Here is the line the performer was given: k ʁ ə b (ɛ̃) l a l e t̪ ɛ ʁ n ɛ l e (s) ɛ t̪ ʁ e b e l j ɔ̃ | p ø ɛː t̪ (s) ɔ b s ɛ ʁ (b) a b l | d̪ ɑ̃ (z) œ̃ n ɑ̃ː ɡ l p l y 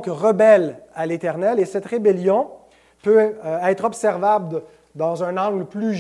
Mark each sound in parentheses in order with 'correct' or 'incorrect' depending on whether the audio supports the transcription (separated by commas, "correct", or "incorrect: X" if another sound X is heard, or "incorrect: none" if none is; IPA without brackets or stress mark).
incorrect: ɛ, correct, incorrect: χ, incorrect: v, correct